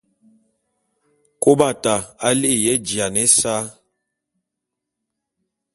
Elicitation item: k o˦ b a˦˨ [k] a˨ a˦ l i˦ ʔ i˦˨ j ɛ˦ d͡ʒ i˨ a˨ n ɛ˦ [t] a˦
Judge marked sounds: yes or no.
no, no

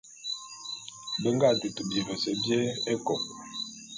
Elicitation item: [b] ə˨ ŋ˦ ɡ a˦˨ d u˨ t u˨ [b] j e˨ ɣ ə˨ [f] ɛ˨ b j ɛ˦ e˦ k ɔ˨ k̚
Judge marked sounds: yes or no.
yes, yes, no

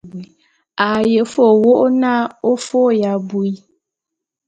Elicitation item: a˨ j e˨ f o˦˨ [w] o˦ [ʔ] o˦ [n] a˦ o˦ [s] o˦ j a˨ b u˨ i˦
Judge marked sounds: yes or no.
yes, yes, yes, no

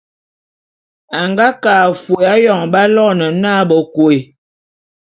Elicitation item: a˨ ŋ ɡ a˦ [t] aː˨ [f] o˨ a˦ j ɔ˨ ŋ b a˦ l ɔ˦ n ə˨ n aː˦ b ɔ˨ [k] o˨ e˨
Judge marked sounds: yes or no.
no, yes, yes

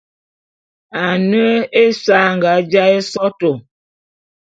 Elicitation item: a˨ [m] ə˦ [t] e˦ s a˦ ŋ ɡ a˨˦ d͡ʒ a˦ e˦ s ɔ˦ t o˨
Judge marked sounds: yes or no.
no, no

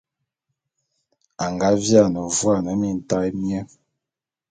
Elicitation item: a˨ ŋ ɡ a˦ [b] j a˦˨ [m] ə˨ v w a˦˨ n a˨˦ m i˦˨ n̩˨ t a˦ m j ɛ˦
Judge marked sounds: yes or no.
no, no

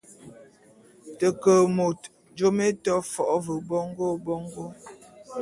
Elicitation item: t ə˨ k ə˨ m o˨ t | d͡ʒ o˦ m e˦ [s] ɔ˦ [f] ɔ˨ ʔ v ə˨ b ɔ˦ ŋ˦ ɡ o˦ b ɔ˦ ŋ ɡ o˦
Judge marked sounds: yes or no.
no, yes

